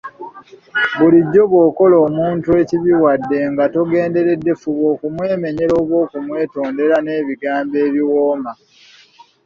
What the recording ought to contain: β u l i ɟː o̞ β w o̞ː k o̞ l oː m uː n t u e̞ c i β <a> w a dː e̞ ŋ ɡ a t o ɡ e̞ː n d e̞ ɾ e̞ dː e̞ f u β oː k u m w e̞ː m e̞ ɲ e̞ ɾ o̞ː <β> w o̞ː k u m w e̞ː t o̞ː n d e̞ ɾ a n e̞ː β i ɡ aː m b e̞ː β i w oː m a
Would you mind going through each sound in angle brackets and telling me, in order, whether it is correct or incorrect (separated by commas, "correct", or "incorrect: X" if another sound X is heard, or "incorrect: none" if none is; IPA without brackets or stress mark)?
incorrect: i, correct